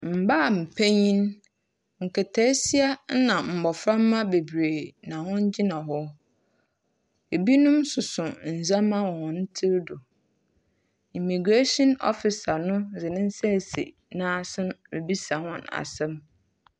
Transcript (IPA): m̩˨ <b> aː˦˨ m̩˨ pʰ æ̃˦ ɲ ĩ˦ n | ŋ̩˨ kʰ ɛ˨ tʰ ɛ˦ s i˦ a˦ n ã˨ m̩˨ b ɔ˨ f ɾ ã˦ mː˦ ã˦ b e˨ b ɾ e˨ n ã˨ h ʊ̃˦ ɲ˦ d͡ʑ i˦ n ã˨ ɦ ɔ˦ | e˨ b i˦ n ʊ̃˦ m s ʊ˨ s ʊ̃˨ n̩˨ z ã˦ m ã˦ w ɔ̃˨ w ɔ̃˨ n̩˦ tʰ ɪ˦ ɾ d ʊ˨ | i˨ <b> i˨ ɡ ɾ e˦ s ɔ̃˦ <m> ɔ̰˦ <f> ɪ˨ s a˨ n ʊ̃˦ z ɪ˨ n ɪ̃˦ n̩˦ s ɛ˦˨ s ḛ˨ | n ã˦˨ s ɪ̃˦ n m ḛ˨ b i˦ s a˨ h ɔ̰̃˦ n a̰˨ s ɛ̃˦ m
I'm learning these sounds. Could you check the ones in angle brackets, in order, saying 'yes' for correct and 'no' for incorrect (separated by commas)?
yes, no, no, yes